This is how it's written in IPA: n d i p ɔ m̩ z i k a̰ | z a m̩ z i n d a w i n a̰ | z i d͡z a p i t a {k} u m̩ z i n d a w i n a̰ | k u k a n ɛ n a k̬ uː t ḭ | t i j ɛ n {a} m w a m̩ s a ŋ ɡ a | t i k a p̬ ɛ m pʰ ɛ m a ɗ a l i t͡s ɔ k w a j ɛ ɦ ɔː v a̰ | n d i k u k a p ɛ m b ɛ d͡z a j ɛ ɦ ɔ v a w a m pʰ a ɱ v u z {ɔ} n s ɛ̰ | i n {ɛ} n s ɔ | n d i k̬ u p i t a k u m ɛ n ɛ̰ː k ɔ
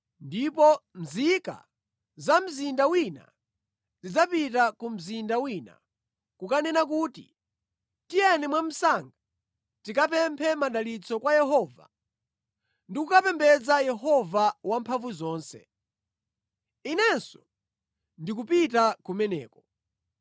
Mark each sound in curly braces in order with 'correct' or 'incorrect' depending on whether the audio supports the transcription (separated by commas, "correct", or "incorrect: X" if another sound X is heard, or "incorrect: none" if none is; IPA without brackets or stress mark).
correct, incorrect: ɛ, incorrect: ɔː, correct